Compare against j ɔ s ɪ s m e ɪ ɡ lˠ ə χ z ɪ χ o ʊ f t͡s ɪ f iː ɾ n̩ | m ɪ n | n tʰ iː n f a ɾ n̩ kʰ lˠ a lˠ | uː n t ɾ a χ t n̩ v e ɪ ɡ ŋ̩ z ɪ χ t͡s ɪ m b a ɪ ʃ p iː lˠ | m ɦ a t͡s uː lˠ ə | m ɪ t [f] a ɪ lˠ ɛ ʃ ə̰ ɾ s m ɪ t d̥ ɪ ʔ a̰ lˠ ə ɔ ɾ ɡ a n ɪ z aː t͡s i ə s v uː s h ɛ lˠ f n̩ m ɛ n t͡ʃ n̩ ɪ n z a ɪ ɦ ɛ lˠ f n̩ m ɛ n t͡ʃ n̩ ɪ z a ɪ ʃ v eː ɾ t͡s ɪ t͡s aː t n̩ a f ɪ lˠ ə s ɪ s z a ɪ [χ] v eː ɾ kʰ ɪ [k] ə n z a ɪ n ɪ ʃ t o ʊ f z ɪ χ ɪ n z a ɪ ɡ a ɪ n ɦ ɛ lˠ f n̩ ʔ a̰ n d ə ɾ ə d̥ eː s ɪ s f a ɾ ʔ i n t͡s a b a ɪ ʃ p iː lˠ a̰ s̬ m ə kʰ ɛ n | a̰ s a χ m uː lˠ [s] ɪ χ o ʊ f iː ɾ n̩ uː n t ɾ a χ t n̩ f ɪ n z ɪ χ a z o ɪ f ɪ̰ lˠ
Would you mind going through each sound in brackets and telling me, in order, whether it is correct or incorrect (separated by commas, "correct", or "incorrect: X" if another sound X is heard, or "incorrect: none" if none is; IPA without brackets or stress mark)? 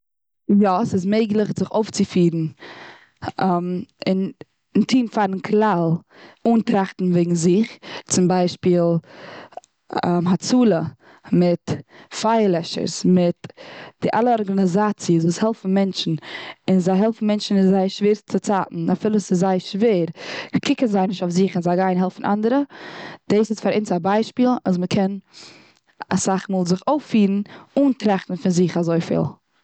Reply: correct, incorrect: ʃ, correct, incorrect: z